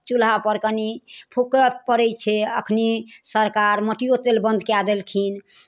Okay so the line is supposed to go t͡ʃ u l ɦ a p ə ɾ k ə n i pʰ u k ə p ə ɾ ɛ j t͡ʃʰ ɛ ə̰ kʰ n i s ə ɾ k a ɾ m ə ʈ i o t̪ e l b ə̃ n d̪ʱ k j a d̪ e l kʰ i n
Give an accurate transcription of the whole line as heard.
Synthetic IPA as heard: t͡ʃ u l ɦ a p ə ɾ k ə n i pʰ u k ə p ə ɾ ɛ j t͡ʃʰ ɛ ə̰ kʰ n i s ə ɾ k a ɾ m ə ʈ i o t̪ e l b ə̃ n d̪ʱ k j a d̪ e l kʰ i n